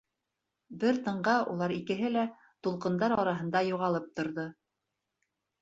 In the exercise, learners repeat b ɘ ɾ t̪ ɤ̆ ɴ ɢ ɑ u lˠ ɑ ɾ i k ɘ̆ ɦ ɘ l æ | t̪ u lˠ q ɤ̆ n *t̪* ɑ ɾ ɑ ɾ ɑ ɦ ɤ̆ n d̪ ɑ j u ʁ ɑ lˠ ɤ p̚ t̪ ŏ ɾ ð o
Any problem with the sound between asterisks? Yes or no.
yes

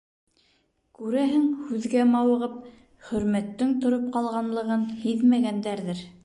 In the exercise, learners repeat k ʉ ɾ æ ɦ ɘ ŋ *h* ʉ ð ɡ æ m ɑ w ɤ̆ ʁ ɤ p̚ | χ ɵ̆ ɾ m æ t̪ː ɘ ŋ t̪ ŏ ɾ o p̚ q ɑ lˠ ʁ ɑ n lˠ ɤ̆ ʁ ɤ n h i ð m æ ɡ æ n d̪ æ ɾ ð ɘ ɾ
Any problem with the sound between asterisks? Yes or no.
no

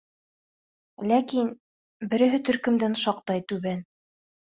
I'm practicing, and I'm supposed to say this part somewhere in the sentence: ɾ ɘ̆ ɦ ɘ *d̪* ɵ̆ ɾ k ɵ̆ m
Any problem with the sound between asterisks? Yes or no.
yes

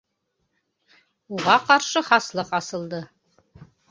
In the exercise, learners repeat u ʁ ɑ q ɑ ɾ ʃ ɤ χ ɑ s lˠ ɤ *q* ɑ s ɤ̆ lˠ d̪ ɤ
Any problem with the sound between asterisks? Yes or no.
no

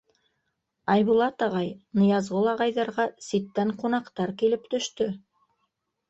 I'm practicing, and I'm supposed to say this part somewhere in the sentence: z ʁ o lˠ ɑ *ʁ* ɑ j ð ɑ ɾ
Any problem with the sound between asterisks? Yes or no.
no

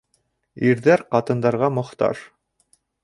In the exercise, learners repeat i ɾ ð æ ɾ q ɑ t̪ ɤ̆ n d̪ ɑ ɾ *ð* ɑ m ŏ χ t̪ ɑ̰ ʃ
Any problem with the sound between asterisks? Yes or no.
yes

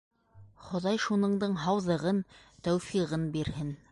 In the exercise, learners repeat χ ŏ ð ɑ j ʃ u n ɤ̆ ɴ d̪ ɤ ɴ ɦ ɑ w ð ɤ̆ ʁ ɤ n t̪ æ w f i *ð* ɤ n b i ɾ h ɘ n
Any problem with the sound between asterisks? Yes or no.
yes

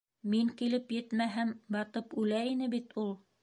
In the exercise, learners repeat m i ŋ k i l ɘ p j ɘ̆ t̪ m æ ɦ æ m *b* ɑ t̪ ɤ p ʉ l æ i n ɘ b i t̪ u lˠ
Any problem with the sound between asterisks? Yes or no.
no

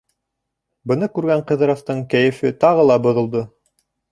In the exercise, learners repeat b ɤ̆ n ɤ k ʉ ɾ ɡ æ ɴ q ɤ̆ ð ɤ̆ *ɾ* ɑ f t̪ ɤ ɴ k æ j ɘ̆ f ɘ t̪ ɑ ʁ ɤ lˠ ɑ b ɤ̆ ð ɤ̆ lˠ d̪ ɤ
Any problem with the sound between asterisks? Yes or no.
no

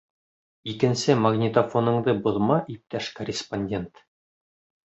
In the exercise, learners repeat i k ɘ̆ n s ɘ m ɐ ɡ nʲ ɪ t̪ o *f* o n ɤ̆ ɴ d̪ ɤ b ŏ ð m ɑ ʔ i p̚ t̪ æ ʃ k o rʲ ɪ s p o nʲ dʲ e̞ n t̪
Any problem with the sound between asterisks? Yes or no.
no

